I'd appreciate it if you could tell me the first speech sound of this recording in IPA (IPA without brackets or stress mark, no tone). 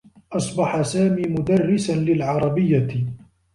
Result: ʔ